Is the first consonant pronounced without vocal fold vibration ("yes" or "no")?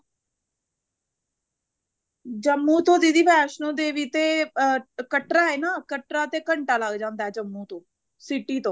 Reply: no